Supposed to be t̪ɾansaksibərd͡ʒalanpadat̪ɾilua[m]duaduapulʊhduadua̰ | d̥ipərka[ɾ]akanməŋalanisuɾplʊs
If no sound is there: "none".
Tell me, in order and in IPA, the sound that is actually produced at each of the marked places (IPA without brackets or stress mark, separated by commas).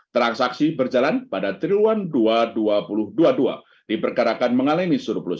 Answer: n, ɾ